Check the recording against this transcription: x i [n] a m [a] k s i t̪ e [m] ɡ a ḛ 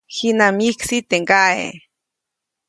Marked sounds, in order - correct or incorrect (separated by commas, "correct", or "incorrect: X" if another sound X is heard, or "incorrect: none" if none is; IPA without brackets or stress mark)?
correct, incorrect: i, incorrect: ŋ